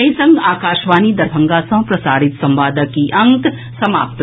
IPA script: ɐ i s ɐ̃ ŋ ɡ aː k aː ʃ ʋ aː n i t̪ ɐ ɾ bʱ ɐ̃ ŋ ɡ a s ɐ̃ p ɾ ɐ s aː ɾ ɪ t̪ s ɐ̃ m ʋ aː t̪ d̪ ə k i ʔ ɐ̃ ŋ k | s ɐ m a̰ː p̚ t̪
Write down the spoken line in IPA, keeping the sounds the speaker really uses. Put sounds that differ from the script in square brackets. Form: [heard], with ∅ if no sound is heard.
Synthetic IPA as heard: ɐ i s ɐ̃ ŋ ɡ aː k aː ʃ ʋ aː n i [d̪] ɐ ɾ bʱ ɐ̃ ŋ ɡ a s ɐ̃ p ɾ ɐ s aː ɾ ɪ t̪ s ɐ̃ m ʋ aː [∅] d̪ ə k i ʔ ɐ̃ ŋ k | s ɐ m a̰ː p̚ t̪